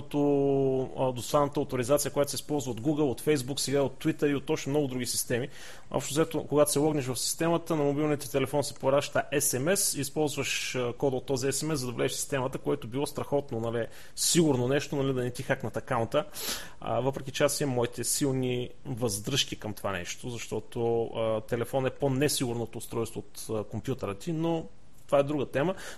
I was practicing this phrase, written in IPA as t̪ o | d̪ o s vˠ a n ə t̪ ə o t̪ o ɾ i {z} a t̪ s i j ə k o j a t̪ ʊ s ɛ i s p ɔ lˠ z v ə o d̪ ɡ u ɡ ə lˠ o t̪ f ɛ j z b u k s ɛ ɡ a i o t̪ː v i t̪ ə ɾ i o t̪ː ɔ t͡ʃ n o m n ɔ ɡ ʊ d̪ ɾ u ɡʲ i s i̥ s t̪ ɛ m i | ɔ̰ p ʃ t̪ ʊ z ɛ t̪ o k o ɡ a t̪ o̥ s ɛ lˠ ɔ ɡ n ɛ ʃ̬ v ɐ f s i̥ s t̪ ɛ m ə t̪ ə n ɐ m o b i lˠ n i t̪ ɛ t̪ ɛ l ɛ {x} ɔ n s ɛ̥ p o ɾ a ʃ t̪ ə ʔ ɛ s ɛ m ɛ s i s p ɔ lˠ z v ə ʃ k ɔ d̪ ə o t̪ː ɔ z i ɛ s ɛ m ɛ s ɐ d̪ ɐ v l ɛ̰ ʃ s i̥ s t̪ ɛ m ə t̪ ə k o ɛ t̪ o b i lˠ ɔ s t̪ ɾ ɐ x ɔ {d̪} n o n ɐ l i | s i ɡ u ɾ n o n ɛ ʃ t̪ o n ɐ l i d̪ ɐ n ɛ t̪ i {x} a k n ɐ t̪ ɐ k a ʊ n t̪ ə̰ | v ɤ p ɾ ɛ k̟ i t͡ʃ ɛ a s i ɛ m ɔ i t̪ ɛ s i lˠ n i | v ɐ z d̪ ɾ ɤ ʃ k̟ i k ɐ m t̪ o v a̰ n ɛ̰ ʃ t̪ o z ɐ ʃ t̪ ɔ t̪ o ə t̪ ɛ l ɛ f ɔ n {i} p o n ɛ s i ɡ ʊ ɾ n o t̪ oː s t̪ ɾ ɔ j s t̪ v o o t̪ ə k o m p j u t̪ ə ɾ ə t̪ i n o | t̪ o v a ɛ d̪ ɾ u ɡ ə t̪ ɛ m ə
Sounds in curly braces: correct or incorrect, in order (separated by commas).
correct, incorrect, incorrect, correct, incorrect